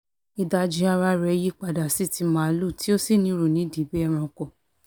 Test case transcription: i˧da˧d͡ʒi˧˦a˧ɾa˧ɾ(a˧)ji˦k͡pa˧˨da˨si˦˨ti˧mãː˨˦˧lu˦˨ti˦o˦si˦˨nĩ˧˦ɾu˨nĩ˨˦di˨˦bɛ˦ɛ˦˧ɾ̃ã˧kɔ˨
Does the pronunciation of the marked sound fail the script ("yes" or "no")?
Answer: yes